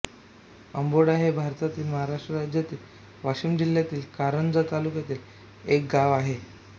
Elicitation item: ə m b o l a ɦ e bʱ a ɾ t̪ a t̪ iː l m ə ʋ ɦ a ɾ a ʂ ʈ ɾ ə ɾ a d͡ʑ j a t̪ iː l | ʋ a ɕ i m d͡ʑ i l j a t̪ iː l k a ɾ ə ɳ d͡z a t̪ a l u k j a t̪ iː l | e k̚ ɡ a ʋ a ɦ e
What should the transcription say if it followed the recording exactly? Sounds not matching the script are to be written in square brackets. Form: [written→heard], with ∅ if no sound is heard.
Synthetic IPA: ə m b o [l→ɽ] a ɦ e bʱ a ɾ t̪ a t̪ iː l m ə [ʋ→∅] ɦ a ɾ a ʂ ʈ ɾ ə ɾ a d͡ʑ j a t̪ iː l | ʋ a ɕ i m d͡ʑ i l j a t̪ iː l k a ɾ ə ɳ d͡z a t̪ a l u k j a t̪ iː l | e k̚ ɡ a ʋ a ɦ e

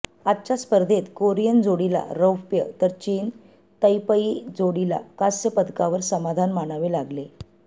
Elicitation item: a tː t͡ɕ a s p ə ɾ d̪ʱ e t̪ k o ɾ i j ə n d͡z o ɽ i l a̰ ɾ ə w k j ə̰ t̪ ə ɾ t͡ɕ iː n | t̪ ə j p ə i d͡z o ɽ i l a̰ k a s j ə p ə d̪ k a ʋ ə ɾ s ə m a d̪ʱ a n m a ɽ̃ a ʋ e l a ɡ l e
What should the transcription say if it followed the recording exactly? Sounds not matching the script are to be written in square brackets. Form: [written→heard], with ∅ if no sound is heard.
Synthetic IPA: a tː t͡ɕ a s p ə ɾ d̪ʱ e t̪ k o ɾ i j ə n d͡z o ɽ i l a̰ ɾ ə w [k→p] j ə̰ t̪ ə ɾ t͡ɕ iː n | t̪ ə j p ə i d͡z o ɽ i l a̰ k a s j ə p ə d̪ k a ʋ ə ɾ s ə m a d̪ʱ a n m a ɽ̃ a ʋ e l a ɡ l e

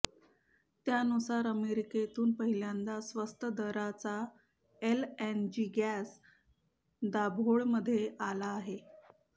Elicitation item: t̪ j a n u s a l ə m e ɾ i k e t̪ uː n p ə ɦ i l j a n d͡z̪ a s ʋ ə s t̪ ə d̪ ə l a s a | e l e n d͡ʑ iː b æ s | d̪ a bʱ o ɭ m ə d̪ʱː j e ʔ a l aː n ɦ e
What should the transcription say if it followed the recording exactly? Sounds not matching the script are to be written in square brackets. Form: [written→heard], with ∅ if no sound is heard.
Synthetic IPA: t̪ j a n u s a [l→ɾ] ə m e ɾ i k e t̪ uː n p ə ɦ i l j a n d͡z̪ a s ʋ ə s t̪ ə d̪ ə [l→ɾ] a [s→t͡s] a | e l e n d͡ʑ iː [b→ɡ] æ s | d̪ a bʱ o ɭ m ə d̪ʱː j e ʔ a l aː [n→∅] ɦ e

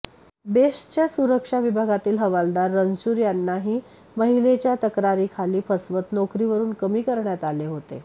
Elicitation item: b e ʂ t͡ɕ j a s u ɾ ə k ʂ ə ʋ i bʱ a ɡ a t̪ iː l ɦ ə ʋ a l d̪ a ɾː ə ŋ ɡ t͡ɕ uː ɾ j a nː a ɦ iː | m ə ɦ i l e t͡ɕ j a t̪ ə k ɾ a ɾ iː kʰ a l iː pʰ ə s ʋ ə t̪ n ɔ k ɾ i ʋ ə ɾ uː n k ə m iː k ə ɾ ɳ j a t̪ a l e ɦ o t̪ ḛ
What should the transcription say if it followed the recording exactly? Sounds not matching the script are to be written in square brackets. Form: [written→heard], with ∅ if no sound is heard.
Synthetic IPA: b e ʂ t͡ɕ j a s u ɾ ə k ʂ [ə→a] ʋ i bʱ a ɡ a t̪ iː l ɦ ə ʋ a l d̪ a ɾː ə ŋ ɡ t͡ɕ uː ɾ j a nː a ɦ iː | m ə ɦ i l e t͡ɕ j a t̪ ə k ɾ a ɾ iː kʰ a l iː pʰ ə s ʋ ə t̪ n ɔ k ɾ i ʋ ə ɾ uː n k ə m iː k ə ɾ ɳ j a t̪ a l e ɦ o t̪ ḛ

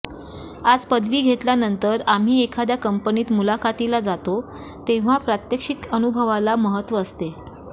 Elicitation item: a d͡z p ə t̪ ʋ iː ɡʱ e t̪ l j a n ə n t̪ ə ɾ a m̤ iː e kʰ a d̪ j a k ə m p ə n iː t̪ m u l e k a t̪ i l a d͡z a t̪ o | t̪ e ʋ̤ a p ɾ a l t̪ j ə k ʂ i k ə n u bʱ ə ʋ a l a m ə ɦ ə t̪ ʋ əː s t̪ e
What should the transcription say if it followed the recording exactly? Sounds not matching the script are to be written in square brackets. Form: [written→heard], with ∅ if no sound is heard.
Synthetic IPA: a d͡z p ə [t̪→d̪] ʋ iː ɡʱ e t̪ l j a n ə n t̪ ə ɾ a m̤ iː e kʰ a d̪ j a k ə m p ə n iː t̪ m u l [e→a] k a t̪ i l a d͡z a t̪ o | t̪ e ʋ̤ a p ɾ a [l→∅] t̪ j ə k ʂ i k ə n u bʱ ə ʋ a l a m ə ɦ ə t̪ ʋ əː s t̪ e

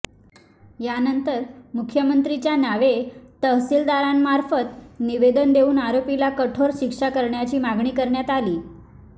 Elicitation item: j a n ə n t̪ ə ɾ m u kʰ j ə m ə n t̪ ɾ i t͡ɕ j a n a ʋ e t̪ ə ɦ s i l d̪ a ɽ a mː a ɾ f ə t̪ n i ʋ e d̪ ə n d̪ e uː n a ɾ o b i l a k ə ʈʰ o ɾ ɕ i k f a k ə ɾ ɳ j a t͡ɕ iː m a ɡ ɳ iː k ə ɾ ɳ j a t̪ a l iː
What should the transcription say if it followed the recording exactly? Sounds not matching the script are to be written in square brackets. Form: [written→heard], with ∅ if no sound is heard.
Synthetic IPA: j a n ə n t̪ ə ɾ m u kʰ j ə m ə n t̪ ɾ i t͡ɕ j a n a ʋ e t̪ ə ɦ s i l d̪ a [ɽ→ɾ] a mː a ɾ f ə t̪ n i ʋ e d̪ ə n d̪ e uː n a ɾ o [b→p] i l a k ə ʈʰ o ɾ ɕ i k [f→ʂ] a k ə ɾ ɳ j a t͡ɕ iː m a ɡ ɳ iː k ə ɾ ɳ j a t̪ a l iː

